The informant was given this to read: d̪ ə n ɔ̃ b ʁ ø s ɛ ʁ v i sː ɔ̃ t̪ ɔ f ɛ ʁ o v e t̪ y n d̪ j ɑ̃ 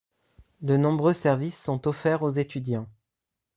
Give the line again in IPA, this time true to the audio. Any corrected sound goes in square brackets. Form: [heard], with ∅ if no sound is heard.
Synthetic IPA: d̪ ə n ɔ̃ b ʁ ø s ɛ ʁ v i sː ɔ̃ t̪ ɔ f ɛ ʁ o [z] e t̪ y [∅] d̪ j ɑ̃